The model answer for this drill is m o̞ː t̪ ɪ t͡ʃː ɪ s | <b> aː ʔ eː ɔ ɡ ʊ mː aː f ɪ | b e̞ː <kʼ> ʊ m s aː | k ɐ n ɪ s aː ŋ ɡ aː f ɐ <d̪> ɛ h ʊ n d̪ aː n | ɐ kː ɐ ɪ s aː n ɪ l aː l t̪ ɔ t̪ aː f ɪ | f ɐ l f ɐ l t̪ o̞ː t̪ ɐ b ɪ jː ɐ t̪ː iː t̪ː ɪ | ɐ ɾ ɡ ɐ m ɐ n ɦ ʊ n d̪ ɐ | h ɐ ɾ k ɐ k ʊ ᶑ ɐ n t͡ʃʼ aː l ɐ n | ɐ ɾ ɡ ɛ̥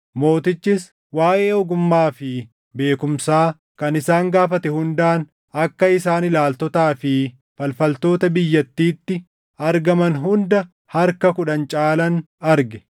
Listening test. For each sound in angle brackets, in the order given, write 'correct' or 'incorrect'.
incorrect: w, incorrect: k, incorrect: t̪

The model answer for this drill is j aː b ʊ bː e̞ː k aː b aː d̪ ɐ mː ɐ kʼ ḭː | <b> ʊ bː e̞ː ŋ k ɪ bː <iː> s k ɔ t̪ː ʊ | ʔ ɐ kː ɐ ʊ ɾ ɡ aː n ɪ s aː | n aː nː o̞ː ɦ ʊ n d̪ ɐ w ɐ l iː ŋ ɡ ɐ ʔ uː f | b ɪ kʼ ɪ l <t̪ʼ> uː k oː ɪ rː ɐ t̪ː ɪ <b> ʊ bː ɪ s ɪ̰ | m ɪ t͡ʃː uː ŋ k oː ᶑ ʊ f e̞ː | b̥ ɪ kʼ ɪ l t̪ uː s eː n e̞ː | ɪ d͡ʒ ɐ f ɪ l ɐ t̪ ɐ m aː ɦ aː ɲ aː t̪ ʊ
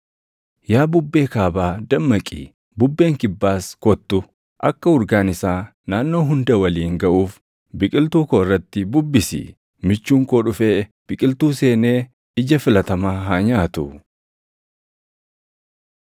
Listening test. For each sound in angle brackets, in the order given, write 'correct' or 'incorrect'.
correct, incorrect: aː, incorrect: t̪, correct

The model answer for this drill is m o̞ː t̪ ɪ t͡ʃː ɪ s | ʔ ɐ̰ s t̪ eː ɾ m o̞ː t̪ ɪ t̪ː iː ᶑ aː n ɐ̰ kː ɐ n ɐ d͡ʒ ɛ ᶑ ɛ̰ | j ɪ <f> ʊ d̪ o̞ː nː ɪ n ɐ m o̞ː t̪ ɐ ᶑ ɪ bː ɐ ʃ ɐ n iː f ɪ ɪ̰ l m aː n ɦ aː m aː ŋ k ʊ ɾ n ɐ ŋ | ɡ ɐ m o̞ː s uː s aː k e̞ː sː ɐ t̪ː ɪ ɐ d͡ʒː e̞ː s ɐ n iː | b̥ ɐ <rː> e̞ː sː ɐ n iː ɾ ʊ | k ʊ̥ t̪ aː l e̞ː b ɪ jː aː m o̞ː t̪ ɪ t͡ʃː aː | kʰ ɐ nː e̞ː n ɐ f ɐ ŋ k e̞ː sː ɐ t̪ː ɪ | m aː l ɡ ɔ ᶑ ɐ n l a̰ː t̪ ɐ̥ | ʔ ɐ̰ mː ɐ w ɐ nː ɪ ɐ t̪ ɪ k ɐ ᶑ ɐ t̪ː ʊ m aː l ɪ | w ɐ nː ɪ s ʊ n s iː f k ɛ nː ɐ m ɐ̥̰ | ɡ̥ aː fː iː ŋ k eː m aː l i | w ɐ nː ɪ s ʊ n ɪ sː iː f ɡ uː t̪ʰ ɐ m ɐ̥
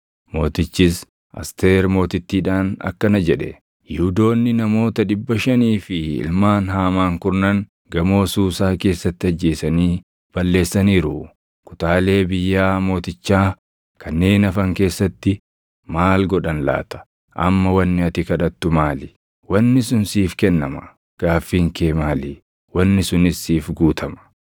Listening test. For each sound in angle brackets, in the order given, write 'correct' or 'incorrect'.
incorrect: h, incorrect: lː

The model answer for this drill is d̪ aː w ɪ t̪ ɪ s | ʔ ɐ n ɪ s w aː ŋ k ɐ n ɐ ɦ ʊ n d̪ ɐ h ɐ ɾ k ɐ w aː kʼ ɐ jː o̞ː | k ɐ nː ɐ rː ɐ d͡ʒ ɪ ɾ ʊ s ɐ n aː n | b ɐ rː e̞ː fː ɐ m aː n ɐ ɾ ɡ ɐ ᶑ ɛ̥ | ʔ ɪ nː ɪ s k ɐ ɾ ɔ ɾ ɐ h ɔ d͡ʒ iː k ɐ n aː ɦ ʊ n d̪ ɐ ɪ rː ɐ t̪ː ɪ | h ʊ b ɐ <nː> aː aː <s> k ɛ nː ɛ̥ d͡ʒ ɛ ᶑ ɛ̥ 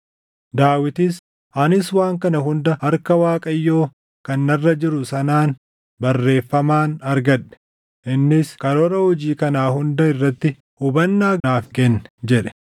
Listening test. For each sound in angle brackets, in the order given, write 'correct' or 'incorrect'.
correct, incorrect: f

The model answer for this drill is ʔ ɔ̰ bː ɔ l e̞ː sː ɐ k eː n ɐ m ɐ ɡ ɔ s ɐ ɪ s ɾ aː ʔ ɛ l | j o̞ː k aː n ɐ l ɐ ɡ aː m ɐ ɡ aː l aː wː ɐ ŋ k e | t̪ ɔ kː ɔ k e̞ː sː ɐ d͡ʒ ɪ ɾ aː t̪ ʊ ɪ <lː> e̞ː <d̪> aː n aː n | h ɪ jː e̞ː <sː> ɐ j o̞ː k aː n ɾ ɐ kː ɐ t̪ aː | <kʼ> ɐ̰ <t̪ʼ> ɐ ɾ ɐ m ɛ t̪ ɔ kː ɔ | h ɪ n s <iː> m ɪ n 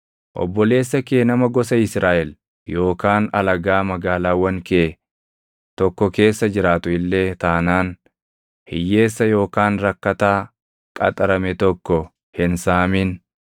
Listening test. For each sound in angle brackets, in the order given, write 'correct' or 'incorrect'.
correct, incorrect: t̪, correct, correct, correct, incorrect: aː

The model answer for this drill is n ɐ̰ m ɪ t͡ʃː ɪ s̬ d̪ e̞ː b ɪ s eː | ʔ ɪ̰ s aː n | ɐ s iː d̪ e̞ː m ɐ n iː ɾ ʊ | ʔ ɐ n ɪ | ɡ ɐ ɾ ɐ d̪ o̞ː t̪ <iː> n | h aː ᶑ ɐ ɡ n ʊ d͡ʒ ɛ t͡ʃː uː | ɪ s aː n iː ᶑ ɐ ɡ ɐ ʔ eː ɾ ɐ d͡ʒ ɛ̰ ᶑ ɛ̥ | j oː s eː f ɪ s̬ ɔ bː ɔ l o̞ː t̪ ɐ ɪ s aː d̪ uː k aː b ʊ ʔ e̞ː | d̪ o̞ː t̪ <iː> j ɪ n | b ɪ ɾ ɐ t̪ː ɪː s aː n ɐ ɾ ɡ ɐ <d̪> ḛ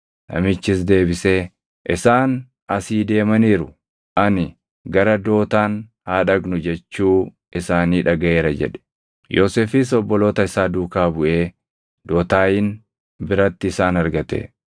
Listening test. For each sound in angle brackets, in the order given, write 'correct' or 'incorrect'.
incorrect: aː, incorrect: aː, incorrect: t̪

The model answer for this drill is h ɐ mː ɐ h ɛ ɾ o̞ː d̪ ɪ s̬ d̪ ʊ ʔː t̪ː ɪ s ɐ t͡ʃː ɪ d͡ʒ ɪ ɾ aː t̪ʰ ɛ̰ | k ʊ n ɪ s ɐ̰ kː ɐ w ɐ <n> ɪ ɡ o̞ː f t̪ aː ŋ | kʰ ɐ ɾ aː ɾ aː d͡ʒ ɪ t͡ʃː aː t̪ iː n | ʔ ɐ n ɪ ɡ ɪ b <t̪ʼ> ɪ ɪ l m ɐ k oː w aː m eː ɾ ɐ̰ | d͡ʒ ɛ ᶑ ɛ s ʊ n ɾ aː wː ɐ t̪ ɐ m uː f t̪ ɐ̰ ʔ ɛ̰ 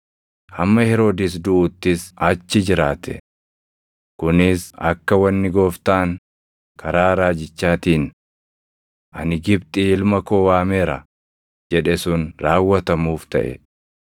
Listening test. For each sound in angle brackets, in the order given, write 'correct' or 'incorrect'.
incorrect: nː, correct

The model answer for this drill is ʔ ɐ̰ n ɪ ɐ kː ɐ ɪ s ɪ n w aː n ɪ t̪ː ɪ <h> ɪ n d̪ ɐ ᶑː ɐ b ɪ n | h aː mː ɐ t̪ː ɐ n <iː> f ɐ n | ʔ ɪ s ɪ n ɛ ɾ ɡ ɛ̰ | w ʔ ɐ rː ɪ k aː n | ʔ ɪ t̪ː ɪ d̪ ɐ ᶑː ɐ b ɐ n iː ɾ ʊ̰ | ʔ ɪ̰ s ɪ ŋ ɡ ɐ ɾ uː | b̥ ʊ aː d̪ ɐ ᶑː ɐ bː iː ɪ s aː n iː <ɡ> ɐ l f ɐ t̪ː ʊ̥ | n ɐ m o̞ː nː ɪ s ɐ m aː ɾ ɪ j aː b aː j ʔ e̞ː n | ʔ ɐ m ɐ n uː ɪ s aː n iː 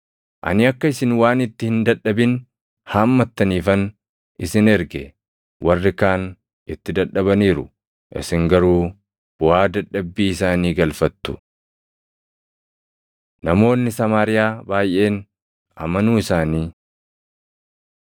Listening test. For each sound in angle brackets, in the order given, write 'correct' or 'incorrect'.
correct, correct, correct

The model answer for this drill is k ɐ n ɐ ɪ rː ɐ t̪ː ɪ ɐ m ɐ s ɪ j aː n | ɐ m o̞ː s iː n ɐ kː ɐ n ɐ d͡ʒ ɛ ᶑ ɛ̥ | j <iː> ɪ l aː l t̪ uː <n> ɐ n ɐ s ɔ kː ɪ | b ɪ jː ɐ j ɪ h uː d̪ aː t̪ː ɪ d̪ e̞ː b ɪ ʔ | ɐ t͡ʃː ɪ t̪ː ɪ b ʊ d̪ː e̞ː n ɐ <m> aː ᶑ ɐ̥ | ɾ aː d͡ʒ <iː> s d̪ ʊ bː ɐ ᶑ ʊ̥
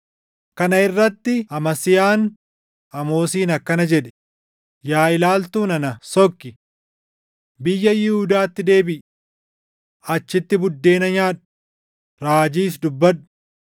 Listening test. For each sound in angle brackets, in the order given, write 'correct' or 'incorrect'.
incorrect: aː, correct, incorrect: ɲ, correct

